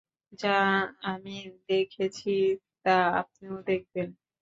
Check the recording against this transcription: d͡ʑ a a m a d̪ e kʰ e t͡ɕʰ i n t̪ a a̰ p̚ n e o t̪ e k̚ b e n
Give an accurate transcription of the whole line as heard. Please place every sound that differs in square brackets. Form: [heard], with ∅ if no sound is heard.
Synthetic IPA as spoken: d͡ʑ a a m [i] d̪ e kʰ e t͡ɕʰ i [∅] t̪ a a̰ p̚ n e o [d̪] e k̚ b e n